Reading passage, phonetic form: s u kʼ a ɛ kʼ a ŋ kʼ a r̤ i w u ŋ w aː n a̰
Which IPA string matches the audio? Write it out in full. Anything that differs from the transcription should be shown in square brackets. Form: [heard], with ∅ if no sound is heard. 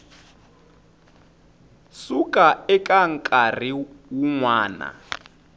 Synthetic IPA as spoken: s u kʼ a ɛ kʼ a ŋ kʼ a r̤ i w u ŋ w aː n a̰

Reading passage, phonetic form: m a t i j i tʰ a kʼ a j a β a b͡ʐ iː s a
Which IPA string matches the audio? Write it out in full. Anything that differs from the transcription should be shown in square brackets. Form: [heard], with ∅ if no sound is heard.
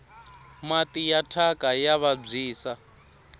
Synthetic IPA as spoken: m a t i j [a] tʰ a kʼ a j a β a b͡ʐ iː s a

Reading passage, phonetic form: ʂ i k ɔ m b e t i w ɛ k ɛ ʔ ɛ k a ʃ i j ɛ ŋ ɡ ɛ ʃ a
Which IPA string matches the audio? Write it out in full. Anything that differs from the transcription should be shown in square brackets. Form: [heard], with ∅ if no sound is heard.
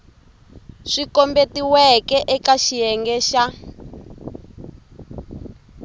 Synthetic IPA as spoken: ʂ i k ɔ m b e t i w ɛ k ɛ ʔ ɛ k a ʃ i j ɛ ŋ ɡ ɛ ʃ a

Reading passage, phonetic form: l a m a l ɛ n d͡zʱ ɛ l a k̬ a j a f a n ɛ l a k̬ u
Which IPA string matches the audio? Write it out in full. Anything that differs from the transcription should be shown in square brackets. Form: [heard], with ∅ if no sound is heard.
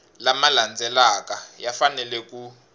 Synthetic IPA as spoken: l a m a l [a] n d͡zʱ ɛ l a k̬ a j a f a n ɛ l [ɛ] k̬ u

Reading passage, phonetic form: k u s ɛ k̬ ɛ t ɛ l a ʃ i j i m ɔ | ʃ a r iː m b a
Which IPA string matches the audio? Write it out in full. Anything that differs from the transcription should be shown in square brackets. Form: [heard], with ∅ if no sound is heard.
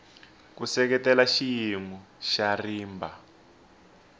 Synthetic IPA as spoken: k u s ɛ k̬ ɛ t ɛ l a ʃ i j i m [u] | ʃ a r iː m b a

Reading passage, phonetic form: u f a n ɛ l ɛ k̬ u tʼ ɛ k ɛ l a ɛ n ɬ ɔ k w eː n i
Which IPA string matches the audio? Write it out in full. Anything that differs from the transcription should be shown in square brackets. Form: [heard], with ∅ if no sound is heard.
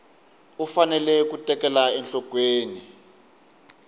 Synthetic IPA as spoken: u f a n ɛ l ɛ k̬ u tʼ ɛ k ɛ l a ɛ n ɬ ɔ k w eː n i

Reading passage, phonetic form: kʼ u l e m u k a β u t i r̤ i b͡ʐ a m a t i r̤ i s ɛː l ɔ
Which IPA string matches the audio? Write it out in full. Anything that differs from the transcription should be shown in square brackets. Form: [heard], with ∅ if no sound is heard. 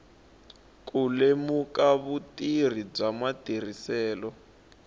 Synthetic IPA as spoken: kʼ u l e m u k a β u t i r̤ i b͡ʐ a m a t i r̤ i s ɛː l ɔ

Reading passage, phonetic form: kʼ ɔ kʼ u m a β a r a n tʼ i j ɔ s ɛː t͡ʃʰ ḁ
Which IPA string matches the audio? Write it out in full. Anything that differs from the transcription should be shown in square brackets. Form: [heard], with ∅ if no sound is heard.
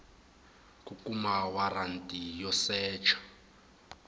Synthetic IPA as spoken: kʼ [u] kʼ u m a [w] a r a n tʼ i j ɔ s ɛː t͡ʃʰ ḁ

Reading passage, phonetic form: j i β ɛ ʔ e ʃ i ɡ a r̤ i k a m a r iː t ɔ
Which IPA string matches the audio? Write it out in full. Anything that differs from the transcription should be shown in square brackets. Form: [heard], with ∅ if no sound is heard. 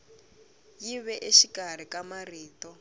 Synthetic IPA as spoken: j i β ɛ ʔ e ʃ i [k] a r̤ i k a m a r iː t ɔ

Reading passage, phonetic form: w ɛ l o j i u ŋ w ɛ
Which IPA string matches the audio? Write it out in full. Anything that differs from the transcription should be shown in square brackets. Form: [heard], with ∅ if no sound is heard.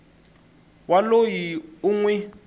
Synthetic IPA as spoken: w [a] l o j i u ŋ w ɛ

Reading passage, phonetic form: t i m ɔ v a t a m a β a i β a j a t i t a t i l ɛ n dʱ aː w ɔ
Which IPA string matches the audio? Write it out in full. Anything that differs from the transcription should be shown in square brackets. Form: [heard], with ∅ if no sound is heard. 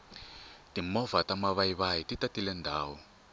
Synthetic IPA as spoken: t i m ɔ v a t a m a β a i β a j [i] t i t a t i l ɛ n dʱ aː w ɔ

